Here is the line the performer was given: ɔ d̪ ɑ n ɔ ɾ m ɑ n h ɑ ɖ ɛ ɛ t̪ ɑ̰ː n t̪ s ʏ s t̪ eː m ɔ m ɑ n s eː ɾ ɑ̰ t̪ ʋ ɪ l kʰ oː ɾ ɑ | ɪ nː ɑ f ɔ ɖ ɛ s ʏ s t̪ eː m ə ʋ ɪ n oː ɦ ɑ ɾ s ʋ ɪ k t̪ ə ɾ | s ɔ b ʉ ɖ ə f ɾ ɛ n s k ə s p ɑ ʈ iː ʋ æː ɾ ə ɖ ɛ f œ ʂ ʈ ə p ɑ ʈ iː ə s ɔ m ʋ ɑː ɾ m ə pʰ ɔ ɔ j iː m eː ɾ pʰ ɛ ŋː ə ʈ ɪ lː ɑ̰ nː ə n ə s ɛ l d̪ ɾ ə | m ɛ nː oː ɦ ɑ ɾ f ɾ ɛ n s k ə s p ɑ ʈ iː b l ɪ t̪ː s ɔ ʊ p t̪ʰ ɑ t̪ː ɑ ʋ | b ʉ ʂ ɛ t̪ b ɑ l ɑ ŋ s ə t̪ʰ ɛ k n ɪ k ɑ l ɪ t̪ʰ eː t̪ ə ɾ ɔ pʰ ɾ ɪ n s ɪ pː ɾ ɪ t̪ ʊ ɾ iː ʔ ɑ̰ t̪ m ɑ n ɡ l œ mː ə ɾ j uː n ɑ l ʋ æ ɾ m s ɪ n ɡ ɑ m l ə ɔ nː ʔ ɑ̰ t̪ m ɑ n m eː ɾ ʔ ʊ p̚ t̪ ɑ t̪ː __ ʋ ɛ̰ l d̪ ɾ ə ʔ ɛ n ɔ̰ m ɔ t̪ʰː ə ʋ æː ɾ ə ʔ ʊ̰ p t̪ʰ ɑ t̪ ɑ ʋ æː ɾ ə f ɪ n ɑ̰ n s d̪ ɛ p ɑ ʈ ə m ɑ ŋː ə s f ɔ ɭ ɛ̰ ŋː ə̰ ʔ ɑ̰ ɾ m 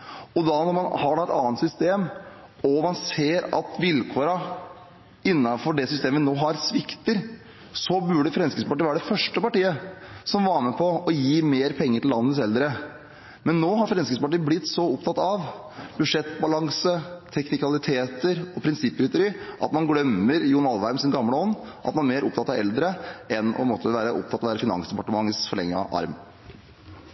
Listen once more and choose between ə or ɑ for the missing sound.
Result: ɑ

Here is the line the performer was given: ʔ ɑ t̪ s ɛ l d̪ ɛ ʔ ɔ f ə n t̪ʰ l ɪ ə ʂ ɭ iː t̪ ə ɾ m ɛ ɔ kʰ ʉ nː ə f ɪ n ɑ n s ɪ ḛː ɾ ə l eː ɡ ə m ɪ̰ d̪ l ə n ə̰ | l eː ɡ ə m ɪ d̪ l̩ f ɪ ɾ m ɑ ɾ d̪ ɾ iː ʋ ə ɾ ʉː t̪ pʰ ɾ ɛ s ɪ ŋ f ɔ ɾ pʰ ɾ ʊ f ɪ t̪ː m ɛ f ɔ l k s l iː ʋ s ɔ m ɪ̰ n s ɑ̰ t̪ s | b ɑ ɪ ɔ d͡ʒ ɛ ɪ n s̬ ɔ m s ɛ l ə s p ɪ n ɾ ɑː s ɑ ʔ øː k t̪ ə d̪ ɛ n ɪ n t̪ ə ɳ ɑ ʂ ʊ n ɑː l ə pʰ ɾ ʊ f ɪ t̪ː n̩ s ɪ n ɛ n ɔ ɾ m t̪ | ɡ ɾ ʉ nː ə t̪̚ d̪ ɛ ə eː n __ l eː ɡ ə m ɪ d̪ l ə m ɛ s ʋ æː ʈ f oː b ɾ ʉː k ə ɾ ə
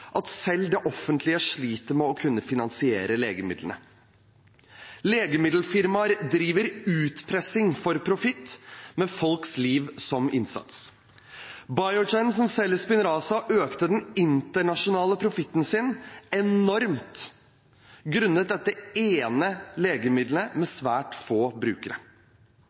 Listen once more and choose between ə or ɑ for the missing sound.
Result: ə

